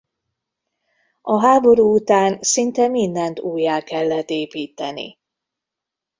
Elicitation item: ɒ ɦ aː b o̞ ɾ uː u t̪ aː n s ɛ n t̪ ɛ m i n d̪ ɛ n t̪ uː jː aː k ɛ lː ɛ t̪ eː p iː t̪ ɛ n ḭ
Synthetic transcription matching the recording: ɒ ɦ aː b o̞ ɾ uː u t̪ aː n s i n t̪ ɛ m i n d̪ ɛ n t̪ uː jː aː k ɛ lː ɛ t̪ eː p iː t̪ ɛ n ḭ